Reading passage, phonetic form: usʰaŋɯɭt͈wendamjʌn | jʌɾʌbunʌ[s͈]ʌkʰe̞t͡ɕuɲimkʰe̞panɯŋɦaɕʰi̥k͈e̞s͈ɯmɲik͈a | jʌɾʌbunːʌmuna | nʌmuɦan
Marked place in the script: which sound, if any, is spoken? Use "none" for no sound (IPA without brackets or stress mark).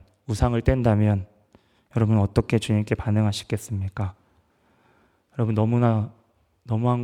t͈